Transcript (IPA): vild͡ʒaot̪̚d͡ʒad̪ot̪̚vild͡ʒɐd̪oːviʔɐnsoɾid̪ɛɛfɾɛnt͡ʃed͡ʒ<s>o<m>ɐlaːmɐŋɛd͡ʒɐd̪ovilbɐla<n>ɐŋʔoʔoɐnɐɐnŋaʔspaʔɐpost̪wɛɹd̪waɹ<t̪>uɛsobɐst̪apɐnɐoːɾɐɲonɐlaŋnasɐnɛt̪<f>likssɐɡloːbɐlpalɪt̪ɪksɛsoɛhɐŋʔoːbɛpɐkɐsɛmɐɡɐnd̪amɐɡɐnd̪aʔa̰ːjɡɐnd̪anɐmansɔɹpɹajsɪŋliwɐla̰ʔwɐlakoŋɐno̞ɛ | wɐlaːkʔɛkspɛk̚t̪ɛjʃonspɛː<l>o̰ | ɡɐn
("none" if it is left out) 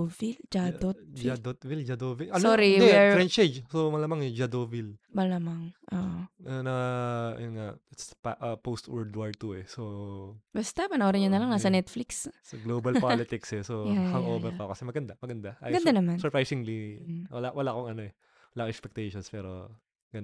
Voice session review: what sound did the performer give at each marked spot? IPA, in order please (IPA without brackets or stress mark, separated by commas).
s, m, m, t̪, f, ɾ